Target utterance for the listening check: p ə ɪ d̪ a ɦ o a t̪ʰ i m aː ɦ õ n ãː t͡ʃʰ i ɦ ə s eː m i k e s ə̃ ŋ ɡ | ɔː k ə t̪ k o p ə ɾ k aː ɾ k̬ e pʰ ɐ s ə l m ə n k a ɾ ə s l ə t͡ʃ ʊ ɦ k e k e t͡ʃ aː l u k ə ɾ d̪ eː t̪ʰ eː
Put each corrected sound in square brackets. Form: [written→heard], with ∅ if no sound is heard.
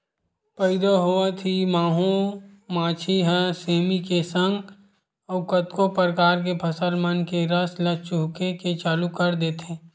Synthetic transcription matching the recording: p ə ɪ d̪ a ɦ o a t̪ʰ i m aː ɦ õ [n→m] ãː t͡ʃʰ i ɦ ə s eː m i k e s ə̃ ŋ ɡ | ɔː k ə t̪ k o p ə ɾ k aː ɾ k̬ e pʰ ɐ s ə l m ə n k [a→e] ɾ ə s l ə t͡ʃ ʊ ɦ k e k e t͡ʃ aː l u k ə ɾ d̪ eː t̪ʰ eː